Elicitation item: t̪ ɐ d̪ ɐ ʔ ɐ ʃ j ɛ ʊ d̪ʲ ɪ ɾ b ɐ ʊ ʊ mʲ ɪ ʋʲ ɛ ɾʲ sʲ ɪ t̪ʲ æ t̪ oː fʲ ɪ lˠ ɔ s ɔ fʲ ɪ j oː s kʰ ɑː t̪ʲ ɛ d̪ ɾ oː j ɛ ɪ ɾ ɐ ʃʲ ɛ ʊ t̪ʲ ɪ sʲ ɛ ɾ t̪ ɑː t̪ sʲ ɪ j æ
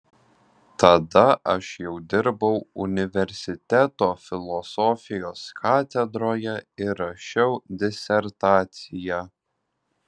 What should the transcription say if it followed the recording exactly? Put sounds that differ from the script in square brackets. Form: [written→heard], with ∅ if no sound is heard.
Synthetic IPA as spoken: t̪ ɐ d̪ ɐ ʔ ɐ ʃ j ɛ ʊ d̪ʲ ɪ ɾ b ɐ ʊ ʊ [mʲ→nʲ] ɪ ʋʲ ɛ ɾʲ sʲ ɪ t̪ʲ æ t̪ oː fʲ ɪ lˠ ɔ s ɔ fʲ ɪ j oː s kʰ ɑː t̪ʲ ɛ d̪ ɾ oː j ɛ ɪ ɾ ɐ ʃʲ ɛ ʊ [t̪ʲ→d̪ʲ] ɪ sʲ ɛ ɾ t̪ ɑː t̪ sʲ ɪ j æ